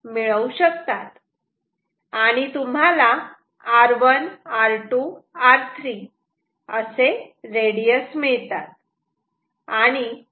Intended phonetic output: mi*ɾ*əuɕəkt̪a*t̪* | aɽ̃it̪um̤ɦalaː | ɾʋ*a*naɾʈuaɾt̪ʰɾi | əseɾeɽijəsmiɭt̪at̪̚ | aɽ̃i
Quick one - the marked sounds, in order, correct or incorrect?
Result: incorrect: ɭ, correct, incorrect: ə

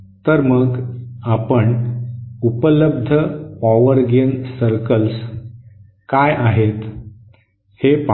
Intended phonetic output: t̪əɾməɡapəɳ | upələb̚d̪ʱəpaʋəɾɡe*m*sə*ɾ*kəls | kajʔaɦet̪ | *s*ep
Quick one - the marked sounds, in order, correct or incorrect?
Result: incorrect: n, correct, incorrect: h

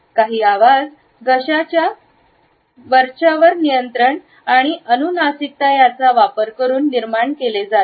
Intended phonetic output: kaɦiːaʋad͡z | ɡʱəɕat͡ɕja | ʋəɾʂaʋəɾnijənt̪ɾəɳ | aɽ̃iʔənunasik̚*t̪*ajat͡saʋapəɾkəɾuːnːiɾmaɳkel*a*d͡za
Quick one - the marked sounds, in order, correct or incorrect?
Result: correct, incorrect: e

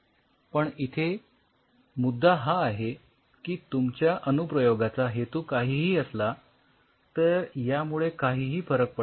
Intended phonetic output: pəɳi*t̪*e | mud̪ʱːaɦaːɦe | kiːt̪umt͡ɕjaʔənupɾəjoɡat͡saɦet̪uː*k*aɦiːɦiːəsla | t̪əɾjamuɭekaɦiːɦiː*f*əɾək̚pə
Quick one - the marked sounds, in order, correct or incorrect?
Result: incorrect: t̪ʰ, correct, correct

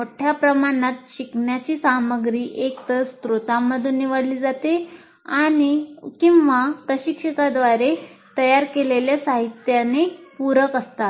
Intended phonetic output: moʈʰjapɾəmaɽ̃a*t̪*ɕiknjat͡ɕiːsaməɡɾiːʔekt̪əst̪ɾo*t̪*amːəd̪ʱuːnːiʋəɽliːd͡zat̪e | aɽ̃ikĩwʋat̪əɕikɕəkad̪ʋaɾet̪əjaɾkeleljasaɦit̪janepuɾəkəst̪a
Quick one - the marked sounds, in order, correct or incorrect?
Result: correct, correct

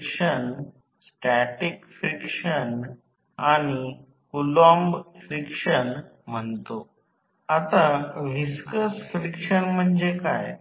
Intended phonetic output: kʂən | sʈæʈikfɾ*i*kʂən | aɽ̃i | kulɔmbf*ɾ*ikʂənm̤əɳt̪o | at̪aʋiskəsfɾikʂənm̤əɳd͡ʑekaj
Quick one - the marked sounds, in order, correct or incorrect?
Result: correct, correct

